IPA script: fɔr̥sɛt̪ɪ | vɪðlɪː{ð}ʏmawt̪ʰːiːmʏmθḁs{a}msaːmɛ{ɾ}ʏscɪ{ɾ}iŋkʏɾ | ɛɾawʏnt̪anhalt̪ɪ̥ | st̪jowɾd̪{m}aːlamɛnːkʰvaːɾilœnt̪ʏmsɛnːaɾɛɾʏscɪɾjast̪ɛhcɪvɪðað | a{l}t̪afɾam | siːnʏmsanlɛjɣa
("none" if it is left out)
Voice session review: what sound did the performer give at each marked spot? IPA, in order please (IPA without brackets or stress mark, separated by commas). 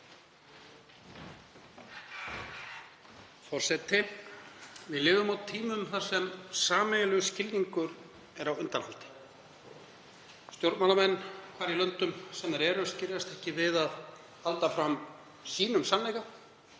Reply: v, ɛ, l, l, m, l